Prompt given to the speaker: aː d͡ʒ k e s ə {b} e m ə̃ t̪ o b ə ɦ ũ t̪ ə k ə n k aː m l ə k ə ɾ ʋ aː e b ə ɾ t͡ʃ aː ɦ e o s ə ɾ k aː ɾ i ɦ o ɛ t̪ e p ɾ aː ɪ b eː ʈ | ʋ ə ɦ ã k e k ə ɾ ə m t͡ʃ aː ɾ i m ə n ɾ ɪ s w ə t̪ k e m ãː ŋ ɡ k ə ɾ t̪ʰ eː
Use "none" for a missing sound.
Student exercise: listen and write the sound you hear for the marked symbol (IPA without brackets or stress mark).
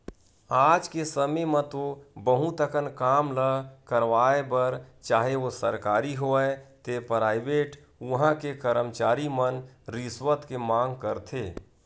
m